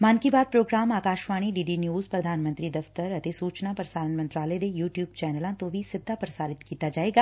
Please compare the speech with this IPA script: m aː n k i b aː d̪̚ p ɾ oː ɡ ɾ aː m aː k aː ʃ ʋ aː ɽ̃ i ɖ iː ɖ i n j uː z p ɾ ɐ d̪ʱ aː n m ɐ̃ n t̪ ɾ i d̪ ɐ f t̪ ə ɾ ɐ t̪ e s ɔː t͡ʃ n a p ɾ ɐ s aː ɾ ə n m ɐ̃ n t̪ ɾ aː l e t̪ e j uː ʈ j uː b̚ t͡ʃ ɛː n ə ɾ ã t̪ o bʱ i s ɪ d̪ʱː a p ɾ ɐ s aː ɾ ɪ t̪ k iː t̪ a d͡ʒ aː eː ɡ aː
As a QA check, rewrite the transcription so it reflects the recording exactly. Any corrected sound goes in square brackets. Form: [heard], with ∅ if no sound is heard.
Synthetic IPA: m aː n k i b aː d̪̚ p ɾ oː ɡ ɾ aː m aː k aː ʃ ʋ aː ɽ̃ i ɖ iː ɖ i n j uː z p ɾ ɐ d̪ʱ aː n m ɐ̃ n t̪ ɾ i d̪ ɐ f t̪ ə ɾ ɐ t̪ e s [uː] t͡ʃ n a p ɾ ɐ s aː ɾ ə n m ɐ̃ n t̪ ɾ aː l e [d̪] e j uː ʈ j uː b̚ t͡ʃ ɛː n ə [l] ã t̪ o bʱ i s ɪ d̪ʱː a p ɾ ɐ s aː ɾ ɪ t̪ k iː t̪ a d͡ʒ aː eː ɡ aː